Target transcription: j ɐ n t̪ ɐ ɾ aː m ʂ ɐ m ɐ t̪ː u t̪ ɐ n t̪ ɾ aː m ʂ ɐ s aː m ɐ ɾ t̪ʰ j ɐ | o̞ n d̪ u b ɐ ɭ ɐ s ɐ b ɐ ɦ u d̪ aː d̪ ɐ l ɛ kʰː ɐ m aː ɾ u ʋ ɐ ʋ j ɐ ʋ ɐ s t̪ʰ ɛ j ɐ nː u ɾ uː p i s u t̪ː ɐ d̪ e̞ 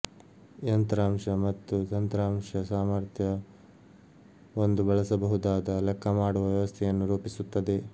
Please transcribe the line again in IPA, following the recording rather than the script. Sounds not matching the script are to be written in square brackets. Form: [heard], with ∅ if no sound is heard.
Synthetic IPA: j ɐ n t̪ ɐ ɾ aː m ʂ ɐ m ɐ t̪ː u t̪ ɐ n t̪ ɾ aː m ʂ ɐ s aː m ɐ ɾ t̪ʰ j ɐ | o̞ n d̪ u b ɐ ɭ ɐ s ɐ b ɐ ɦ u d̪ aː d̪ ɐ l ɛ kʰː ɐ m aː [ɽ] u ʋ ɐ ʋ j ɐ ʋ ɐ s t̪ʰ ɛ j ɐ nː u ɾ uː p i s u t̪ː ɐ d̪ e̞